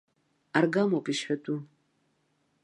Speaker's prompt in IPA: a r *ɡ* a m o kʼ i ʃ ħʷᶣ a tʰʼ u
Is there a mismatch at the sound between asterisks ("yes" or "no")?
no